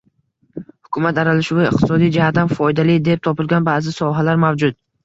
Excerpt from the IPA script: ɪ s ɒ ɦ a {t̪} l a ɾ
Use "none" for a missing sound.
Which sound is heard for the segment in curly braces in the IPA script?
none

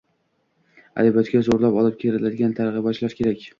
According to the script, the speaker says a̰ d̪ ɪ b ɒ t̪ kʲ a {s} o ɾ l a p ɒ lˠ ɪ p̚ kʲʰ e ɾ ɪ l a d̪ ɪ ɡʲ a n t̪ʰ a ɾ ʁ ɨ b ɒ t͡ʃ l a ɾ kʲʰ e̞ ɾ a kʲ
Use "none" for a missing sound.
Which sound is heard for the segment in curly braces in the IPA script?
z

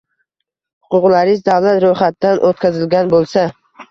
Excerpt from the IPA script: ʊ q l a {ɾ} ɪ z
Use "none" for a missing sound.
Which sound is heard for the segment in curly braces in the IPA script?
ɾ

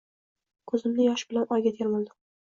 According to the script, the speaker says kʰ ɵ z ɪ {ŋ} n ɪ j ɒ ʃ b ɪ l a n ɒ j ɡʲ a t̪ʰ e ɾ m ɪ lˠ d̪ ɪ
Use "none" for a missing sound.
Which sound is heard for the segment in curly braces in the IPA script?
m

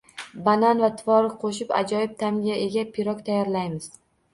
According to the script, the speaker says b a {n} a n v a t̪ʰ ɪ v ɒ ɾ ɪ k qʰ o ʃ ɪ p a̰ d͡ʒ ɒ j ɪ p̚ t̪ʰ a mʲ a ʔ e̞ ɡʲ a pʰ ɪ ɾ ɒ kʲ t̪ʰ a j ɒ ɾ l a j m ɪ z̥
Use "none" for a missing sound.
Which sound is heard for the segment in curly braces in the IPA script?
n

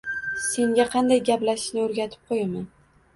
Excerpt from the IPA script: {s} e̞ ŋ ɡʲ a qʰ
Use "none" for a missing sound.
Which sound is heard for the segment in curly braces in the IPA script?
s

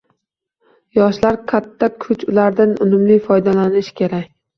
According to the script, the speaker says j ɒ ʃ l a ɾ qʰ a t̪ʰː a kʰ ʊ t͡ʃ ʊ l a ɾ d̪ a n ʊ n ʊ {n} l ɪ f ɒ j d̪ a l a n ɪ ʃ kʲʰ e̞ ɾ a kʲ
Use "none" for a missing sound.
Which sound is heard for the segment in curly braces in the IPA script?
m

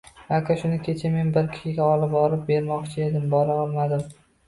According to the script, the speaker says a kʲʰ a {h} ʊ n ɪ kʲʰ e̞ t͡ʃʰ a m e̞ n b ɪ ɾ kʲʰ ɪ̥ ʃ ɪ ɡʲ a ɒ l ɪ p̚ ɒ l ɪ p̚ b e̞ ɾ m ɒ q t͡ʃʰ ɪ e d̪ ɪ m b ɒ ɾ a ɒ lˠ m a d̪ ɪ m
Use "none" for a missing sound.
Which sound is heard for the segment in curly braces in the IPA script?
ʃ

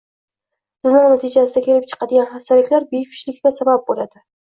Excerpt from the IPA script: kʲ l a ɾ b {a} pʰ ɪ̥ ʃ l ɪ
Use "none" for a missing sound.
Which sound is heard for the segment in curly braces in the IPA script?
e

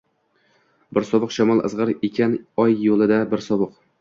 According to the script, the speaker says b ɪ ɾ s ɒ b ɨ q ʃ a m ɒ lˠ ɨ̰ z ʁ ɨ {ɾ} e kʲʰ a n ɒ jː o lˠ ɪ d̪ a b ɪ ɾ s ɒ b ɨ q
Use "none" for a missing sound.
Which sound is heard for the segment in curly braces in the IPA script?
ɾ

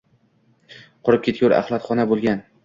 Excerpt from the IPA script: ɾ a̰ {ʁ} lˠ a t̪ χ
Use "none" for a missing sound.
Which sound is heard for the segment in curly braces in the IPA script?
χ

